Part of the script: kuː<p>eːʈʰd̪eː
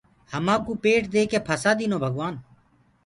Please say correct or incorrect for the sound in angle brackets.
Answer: correct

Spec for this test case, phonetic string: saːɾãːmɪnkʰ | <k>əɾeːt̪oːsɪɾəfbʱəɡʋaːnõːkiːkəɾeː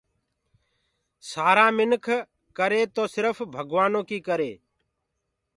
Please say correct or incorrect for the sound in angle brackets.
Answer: correct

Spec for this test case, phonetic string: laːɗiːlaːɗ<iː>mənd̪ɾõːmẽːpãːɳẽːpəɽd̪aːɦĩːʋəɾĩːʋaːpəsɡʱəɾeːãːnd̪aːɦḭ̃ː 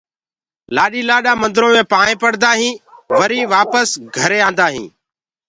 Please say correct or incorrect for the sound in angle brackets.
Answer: incorrect: aː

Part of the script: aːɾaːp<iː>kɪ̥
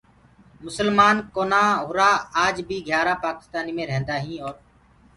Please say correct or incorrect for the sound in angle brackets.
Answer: incorrect: aː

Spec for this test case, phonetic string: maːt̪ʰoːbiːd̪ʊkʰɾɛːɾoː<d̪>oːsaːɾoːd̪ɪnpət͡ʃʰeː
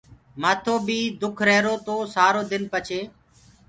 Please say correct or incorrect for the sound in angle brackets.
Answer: incorrect: t̪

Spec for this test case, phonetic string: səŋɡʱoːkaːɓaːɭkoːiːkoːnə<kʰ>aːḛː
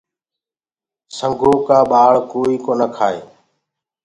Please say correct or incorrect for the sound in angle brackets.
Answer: correct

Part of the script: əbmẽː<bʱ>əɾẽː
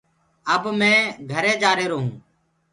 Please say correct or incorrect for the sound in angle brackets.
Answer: incorrect: ɡʱ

